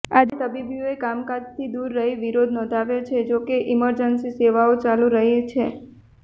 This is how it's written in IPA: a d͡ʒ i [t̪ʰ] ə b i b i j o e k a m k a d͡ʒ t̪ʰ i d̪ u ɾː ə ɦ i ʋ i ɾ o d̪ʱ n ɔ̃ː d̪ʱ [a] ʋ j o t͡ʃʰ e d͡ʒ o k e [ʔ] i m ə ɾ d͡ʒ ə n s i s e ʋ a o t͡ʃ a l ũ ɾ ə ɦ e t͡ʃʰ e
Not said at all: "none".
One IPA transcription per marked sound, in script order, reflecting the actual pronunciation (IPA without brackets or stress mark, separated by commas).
t̪, a, ʔ